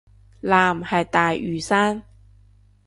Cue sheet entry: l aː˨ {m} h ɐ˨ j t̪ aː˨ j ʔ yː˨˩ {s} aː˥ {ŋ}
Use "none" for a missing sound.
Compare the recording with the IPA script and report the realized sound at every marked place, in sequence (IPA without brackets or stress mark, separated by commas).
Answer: m, s, n